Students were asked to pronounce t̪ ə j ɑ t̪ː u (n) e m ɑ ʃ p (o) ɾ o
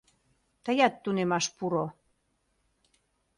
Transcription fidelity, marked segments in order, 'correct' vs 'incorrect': correct, incorrect: u

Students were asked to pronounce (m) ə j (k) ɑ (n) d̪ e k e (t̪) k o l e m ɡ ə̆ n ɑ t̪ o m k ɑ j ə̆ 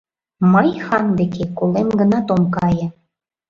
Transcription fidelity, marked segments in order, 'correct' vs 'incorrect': correct, incorrect: x, correct, incorrect: none

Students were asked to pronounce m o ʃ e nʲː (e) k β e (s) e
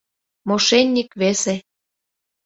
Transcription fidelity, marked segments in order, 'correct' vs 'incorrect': incorrect: i, correct

